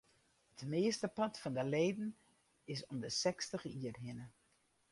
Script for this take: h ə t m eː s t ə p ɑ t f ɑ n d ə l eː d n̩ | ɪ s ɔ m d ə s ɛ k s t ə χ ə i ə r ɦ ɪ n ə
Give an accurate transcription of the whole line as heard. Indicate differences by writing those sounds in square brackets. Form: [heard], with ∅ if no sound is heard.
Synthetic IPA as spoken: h ə t m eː s t ə p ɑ t f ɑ n d ə l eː d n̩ | ɪ s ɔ m d ə s ɛ k s t ə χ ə i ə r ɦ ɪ n ə